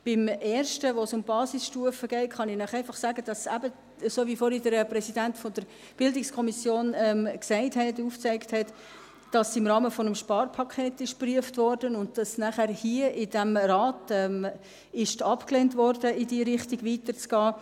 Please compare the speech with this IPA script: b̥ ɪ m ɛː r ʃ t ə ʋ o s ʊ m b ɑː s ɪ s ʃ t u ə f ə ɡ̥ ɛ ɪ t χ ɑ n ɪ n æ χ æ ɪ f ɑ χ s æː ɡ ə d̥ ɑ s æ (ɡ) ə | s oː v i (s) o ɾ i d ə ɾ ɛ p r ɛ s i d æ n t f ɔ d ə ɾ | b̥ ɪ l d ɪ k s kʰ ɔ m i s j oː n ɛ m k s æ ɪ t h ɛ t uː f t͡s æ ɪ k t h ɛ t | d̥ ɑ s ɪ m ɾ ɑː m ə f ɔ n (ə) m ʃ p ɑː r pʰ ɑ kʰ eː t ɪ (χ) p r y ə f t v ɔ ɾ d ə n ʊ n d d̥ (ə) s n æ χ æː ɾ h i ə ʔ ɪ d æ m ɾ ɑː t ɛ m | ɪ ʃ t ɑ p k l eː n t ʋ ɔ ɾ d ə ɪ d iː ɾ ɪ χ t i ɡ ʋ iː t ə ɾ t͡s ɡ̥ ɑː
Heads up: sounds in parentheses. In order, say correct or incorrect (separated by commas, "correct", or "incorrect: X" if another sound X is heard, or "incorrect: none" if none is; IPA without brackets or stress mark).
incorrect: b, incorrect: f, correct, incorrect: ʃ, incorrect: ɑ